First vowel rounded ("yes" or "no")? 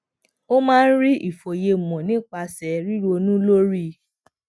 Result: yes